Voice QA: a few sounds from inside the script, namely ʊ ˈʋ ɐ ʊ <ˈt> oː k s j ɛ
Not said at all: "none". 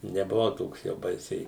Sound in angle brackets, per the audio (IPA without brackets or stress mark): t